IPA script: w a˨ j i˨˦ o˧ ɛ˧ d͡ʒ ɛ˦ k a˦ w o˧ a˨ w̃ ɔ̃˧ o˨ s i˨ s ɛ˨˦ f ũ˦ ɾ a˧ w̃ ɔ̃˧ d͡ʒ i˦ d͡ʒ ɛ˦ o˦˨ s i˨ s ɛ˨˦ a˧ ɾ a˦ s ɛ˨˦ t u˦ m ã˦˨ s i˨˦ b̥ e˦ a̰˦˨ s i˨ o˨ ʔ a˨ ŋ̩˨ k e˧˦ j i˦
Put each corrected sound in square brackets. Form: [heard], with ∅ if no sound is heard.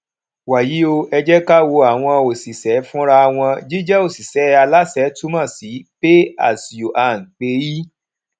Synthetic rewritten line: w a˨ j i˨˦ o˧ ɛ˧ d͡ʒ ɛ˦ k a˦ w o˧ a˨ w̃ ɔ̃˧ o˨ s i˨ s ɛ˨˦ f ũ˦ ɾ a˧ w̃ ɔ̃˧ d͡ʒ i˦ d͡ʒ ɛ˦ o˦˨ s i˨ s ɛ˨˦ a˧ [l] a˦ s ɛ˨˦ t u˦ m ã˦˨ s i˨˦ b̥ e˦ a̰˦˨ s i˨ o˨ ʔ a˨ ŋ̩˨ [k͡p] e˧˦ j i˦